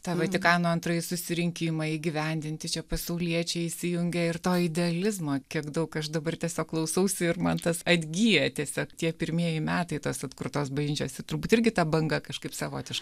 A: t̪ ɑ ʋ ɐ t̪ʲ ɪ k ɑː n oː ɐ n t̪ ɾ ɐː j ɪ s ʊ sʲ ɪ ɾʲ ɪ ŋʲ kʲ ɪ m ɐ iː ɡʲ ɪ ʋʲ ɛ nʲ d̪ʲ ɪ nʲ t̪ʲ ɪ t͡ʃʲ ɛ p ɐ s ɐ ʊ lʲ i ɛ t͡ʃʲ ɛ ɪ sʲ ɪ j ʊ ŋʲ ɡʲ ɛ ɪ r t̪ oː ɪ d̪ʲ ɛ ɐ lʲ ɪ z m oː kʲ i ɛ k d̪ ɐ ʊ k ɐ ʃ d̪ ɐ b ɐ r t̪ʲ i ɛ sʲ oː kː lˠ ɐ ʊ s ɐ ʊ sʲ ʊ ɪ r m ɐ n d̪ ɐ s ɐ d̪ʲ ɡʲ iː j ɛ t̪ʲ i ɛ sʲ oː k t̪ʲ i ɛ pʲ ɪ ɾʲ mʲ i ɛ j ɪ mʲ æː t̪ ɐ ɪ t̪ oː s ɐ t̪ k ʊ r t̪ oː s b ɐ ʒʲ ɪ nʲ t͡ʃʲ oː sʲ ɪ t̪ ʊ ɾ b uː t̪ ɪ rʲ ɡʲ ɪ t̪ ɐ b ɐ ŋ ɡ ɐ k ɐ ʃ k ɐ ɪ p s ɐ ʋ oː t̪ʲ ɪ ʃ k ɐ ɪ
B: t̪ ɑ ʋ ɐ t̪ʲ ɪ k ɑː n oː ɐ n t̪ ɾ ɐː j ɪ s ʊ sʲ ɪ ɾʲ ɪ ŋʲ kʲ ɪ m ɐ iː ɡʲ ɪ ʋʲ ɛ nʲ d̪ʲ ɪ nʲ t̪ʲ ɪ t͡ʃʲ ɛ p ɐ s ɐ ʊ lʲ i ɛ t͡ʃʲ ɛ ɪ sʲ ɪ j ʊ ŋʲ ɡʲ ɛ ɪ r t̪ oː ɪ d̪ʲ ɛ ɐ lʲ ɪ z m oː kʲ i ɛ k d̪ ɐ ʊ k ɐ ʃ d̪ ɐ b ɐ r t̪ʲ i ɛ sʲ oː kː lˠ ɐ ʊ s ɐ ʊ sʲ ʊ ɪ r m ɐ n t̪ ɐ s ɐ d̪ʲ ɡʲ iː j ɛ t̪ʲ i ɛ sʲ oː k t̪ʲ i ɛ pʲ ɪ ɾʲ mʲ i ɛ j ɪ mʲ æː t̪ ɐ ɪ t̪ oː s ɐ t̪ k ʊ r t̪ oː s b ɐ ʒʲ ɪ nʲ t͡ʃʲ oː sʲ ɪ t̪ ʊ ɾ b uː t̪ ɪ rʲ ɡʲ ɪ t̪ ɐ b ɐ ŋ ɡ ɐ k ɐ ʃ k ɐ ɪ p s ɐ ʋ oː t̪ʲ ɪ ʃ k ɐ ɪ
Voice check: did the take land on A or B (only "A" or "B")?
B